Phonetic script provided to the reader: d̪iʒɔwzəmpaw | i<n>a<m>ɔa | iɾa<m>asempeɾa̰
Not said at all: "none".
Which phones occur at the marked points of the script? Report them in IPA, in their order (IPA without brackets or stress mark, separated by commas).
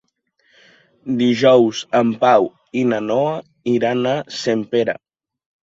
n, n, n